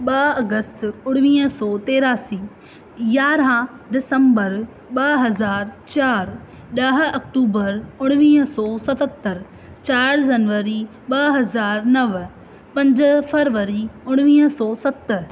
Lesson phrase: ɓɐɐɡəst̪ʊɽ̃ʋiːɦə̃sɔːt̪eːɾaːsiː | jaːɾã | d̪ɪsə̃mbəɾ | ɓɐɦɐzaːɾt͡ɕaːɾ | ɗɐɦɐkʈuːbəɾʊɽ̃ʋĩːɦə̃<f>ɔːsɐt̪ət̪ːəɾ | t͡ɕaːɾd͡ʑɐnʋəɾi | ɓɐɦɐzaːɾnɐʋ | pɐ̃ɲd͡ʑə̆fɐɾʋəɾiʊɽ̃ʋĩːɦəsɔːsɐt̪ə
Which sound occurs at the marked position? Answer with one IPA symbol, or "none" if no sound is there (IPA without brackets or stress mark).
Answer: s